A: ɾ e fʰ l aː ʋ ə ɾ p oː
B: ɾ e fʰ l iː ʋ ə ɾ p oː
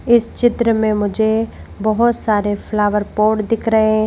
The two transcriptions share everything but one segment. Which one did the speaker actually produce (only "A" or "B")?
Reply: A